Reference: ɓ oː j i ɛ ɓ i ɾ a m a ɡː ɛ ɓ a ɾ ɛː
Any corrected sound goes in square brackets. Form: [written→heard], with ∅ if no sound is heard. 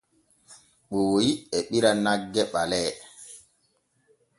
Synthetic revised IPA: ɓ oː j i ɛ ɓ i ɾ a [m→n] a ɡː ɛ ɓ a [ɾ→l] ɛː